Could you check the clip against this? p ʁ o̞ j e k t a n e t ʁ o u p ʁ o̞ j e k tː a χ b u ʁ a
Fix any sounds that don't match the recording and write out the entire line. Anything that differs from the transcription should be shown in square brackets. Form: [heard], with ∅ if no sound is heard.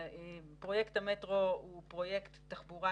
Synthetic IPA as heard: p ʁ o̞ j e k t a [m] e t ʁ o u p ʁ o̞ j e k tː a χ b u ʁ a

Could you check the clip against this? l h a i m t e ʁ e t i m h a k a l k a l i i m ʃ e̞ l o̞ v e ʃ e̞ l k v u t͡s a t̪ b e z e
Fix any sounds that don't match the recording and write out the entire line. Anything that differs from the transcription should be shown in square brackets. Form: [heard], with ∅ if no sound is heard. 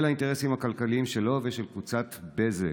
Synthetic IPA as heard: l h a i [n] t e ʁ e [s] i m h a k a l k a l i i m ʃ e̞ l o̞ v e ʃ e̞ l k v u t͡s a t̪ b e z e

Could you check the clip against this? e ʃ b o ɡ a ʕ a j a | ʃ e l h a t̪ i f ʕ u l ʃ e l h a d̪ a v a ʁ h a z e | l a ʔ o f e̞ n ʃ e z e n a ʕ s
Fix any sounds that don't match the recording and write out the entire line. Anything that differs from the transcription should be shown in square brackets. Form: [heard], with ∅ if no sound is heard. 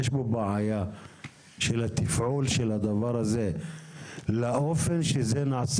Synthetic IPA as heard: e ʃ b o [b] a ʕ a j a | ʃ e l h a t̪ i f ʕ u l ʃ e l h a d̪ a v a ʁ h a z e | l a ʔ o f e̞ n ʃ e z e n a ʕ s

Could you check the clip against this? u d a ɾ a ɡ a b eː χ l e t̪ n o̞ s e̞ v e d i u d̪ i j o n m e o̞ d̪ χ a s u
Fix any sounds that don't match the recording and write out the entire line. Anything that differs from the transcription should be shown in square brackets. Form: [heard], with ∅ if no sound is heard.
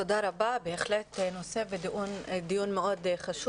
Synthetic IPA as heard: [o] d a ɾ a [b] a b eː χ l e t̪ n o̞ s e̞ v e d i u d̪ i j [u] n m e o̞ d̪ χ a [ʃ] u

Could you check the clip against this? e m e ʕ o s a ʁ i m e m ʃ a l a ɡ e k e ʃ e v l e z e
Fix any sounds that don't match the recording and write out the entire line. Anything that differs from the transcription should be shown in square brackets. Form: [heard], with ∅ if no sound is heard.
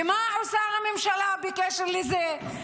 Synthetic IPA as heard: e m [a] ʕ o s a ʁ [a] m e m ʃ a l a [b] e k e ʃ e [ʁ] l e z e

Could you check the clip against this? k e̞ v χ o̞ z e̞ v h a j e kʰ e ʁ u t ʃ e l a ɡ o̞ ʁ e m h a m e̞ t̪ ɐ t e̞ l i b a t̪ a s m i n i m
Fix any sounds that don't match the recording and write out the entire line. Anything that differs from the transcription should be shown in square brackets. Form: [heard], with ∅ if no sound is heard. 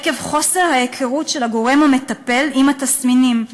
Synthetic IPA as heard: k e̞ v χ o̞ [s] e̞ [ʁ] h a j e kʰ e ʁ u t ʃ e l a ɡ o̞ ʁ e m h a m e̞ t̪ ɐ [p] e̞ l i [m] a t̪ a s m i n i m

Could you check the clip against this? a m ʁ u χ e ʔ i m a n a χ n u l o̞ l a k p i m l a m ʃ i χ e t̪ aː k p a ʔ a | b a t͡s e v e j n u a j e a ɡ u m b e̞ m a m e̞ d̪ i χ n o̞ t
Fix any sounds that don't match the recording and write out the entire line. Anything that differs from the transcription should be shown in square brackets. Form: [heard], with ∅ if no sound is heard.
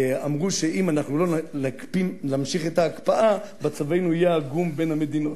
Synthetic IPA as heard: a m ʁ u [ʃ] e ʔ i m a n a χ n u l o̞ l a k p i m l a m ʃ i χ e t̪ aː k p a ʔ a | b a t͡s [a] v e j n u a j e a ɡ u m b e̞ [n] a m e̞ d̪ i [∅] n o̞ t

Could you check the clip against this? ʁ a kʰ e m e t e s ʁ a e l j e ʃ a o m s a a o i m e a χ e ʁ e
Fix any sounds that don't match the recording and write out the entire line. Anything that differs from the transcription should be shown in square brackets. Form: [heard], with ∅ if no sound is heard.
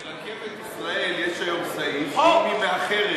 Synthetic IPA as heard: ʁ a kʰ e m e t [i] s ʁ a e l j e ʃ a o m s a [i] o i m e a χ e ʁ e

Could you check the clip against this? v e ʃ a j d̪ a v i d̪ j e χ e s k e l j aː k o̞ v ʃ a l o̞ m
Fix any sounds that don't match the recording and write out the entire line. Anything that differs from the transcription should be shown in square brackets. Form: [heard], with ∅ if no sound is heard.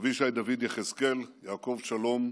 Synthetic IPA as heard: v [i] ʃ a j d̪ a v i d̪ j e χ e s k e l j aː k o̞ v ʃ a l o̞ m

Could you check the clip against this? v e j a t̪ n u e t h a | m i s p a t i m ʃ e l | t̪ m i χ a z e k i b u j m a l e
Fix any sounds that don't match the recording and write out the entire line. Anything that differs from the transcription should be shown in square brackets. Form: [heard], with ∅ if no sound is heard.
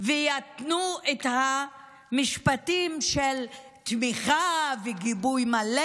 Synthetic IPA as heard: v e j a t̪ n u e t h a | m i [ʃ] p a t i m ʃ e l | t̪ m i χ a [v] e [ɡ] i b u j m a l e

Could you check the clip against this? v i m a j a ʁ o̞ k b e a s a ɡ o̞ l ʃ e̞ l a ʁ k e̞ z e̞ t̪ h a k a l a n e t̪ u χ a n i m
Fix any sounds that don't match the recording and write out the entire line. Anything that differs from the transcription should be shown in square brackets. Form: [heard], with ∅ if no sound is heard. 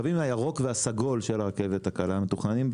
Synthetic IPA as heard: v i m a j a ʁ o̞ k [v] e a s a ɡ o̞ l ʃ e̞ l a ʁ k e̞ [v] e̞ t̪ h a k a l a [m] e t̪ u χ a n i m

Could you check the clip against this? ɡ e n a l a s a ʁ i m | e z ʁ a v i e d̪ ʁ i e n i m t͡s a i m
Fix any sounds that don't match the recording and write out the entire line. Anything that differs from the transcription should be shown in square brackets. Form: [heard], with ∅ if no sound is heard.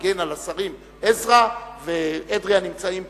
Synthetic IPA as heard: ɡ e n a l a s a ʁ i m | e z ʁ a v [e] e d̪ ʁ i [a] n i m t͡s a i m

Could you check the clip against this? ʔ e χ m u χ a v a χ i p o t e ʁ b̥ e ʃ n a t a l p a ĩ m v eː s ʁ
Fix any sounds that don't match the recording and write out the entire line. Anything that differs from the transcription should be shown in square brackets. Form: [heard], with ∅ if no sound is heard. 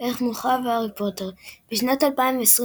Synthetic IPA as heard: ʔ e χ m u χ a v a [ʁ] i p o t e ʁ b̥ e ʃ n a t a l p a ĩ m v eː s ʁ

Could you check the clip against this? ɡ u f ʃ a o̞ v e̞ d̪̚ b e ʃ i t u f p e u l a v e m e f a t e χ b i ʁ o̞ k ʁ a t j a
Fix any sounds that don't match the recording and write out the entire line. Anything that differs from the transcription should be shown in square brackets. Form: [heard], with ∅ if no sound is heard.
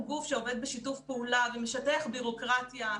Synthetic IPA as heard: ɡ u f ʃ [e] o̞ v e̞ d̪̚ b e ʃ i t u f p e u l a v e m e [ʃ] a t e χ b i ʁ o̞ k ʁ a t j a

